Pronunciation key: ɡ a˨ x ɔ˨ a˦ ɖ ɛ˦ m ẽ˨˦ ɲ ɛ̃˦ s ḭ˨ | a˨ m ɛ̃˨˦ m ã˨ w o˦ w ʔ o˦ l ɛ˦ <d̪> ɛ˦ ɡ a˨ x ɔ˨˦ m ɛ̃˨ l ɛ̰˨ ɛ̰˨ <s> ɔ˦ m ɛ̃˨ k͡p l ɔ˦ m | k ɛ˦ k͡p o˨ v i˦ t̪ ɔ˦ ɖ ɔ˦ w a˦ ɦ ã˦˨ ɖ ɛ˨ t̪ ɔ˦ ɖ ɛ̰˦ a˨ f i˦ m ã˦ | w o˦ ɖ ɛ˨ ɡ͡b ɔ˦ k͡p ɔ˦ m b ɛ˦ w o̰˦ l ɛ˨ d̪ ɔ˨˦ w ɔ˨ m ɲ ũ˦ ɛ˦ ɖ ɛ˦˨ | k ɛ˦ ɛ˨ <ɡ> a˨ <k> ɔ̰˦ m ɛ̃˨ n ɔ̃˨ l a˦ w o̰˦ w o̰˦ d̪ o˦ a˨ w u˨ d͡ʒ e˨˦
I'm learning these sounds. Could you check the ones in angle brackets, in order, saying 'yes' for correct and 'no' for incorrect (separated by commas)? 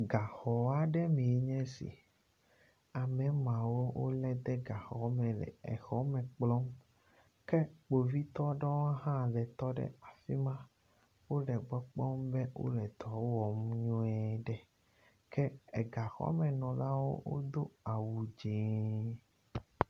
yes, no, yes, no